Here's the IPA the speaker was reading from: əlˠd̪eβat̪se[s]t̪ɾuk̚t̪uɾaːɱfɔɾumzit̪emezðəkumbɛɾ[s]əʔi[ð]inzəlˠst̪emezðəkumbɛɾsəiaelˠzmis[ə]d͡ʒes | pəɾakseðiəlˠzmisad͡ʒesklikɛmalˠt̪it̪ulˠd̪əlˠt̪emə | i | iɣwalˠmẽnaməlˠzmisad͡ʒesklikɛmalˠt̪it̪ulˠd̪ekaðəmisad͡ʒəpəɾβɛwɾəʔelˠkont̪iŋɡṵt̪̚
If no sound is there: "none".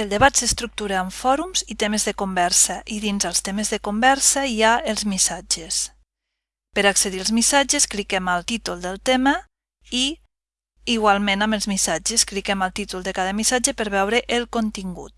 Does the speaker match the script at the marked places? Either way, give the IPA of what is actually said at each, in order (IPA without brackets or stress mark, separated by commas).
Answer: s, s, ð, a